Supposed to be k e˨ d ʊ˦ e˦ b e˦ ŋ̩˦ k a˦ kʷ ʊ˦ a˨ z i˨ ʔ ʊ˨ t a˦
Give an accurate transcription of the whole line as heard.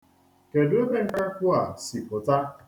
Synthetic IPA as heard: k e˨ d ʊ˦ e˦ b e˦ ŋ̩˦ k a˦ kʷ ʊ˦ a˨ s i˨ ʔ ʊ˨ t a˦